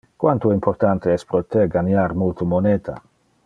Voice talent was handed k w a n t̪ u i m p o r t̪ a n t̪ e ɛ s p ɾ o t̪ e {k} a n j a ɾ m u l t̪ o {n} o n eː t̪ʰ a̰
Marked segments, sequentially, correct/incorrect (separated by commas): incorrect, incorrect